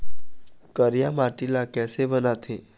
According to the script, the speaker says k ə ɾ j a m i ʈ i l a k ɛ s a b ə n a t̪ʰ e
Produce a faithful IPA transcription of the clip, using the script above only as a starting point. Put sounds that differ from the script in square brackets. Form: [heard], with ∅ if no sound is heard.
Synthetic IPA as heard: k ə ɾ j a m [a] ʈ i l a k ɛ s [e] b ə n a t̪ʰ e